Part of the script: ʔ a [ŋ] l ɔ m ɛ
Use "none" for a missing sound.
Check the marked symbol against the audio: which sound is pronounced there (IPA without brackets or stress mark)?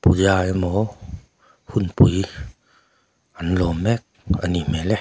n